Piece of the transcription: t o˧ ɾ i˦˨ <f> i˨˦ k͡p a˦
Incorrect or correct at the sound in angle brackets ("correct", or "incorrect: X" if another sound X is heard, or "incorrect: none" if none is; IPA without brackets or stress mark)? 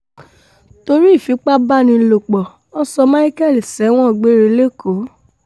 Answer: correct